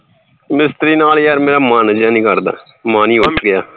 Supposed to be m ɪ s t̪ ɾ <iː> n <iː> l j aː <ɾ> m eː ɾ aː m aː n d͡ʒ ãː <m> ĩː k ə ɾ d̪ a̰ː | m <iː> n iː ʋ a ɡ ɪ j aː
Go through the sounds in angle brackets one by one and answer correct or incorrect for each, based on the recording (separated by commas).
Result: correct, incorrect, correct, incorrect, incorrect